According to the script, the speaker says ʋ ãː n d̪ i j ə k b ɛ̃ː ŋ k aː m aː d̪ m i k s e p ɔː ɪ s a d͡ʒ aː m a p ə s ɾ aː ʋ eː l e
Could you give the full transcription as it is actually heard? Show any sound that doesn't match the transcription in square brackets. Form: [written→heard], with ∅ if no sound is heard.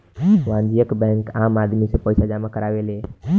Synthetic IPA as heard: ʋ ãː n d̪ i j ə k b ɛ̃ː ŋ k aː m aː d̪ m i [k→∅] s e p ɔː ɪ s a d͡ʒ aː m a [p→k] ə [s→∅] ɾ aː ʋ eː l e